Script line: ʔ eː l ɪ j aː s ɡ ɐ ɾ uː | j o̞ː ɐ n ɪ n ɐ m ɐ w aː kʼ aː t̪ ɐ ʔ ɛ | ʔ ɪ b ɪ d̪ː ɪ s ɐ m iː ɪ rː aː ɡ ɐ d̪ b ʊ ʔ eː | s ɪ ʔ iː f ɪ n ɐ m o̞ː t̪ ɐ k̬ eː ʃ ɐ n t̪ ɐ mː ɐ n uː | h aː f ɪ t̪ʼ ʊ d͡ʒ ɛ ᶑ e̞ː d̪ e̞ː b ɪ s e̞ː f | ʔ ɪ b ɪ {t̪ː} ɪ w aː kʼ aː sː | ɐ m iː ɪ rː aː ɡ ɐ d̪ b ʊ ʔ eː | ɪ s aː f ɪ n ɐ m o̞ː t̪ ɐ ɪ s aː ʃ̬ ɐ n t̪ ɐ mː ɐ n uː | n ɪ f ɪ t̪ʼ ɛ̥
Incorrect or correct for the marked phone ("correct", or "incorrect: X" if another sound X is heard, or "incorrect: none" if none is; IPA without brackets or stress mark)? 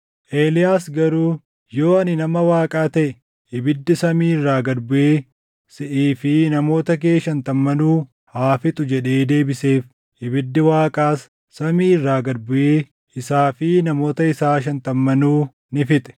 incorrect: d̪ː